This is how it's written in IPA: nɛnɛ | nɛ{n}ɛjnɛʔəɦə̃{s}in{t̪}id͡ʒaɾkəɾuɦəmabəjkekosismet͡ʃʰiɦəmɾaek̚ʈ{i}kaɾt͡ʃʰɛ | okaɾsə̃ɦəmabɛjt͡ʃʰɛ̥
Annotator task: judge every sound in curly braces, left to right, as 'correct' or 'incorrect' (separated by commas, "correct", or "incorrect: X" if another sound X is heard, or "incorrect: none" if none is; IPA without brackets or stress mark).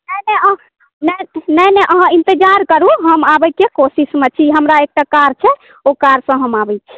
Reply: correct, incorrect: none, correct, incorrect: a